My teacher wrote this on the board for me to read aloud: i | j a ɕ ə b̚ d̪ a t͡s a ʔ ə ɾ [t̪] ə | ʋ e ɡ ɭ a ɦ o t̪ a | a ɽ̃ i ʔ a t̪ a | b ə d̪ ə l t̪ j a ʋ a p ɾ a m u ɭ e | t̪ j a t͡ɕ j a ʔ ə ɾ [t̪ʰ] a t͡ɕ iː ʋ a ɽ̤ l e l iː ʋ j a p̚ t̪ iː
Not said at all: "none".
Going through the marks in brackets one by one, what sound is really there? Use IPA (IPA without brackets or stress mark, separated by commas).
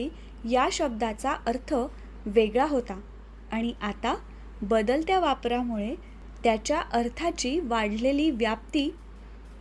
t̪ʰ, t̪ʰ